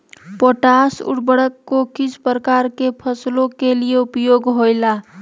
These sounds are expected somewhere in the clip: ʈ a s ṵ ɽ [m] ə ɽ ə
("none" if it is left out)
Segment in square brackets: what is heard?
b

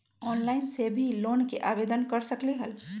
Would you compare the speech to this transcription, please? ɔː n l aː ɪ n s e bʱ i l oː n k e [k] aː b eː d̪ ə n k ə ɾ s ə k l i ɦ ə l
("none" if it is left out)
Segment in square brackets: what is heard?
ʔ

